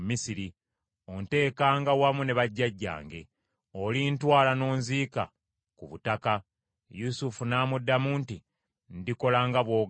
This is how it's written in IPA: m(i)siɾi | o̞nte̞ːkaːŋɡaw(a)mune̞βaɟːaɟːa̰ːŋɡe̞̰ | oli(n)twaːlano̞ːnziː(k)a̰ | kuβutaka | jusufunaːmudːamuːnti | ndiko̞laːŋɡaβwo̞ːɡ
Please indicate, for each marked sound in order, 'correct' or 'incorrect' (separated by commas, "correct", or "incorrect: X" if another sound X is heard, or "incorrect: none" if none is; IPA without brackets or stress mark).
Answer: correct, correct, correct, correct